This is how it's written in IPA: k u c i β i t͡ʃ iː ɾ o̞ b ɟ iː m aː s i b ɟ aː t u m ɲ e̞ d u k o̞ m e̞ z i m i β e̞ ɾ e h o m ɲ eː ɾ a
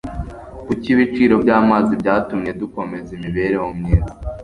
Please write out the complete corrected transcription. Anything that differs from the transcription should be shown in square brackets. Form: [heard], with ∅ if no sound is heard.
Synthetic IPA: k u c i β i t͡ʃ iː ɾ o̞ b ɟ [aː] m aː [z] i b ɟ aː t u m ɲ e̞ d u k o̞ m e̞ z i m i β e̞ ɾ e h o m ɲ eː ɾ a